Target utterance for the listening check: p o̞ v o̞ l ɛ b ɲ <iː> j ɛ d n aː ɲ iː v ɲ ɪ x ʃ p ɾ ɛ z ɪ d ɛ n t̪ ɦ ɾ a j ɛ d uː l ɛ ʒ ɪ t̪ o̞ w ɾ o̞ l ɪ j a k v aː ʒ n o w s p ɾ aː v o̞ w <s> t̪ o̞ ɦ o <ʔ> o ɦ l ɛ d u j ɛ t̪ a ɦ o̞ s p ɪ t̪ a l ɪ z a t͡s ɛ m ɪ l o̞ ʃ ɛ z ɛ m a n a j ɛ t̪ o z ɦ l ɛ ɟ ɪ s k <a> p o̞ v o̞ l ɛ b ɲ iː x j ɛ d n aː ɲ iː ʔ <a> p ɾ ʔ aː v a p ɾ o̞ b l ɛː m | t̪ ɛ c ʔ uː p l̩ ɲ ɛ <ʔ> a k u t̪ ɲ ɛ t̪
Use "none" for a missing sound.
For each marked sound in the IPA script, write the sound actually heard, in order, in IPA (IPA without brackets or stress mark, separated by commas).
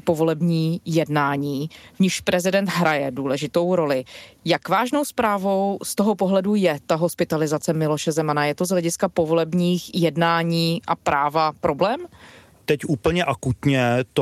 iː, s, p, a, a, ʔ